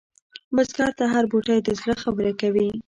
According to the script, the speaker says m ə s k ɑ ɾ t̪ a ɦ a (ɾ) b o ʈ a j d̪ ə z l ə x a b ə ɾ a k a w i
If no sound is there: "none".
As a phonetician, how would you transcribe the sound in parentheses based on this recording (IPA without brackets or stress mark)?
ɾ